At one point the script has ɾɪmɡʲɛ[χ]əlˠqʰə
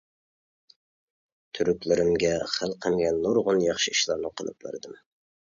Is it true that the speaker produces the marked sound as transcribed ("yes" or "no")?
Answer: yes